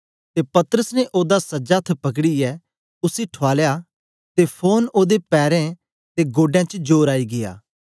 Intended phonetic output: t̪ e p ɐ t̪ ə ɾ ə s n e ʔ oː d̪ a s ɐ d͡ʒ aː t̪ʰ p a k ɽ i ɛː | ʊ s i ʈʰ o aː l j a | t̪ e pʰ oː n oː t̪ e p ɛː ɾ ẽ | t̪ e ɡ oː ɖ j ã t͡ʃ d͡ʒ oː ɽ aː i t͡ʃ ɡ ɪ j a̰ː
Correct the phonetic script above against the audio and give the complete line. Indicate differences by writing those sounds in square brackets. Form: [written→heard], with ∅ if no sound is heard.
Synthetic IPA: t̪ e p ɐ t̪ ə ɾ ə s n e ʔ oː d̪ a s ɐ d͡ʒ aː t̪ʰ p [a→ɐ] k ɽ i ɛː | ʊ s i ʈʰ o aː l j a | t̪ e pʰ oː n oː [t̪→d̪] e p ɛː ɾ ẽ | t̪ e ɡ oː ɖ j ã t͡ʃ d͡ʒ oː [ɽ→ɾ] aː i [t͡ʃ→∅] ɡ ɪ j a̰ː